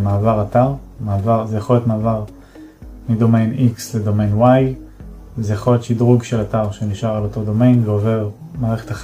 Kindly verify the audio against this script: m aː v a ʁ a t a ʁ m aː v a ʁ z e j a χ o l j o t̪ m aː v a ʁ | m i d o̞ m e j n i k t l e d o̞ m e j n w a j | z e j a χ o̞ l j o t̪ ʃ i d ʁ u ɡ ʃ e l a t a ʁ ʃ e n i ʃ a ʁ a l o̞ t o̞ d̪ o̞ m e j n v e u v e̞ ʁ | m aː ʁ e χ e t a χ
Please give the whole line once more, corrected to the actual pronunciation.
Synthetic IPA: m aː v a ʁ a t a ʁ m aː v a ʁ z e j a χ o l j o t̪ m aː v a ʁ | m i d o̞ m e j n i k s l e d o̞ m e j n w a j | z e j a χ o̞ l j o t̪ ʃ i d ʁ u ɡ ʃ e l a t a ʁ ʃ e n i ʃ a ʁ a l o̞ t o̞ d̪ o̞ m e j n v e o v e̞ ʁ | m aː ʁ e χ e t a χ